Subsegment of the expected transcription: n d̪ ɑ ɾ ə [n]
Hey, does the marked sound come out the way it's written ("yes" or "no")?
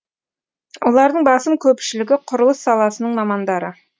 no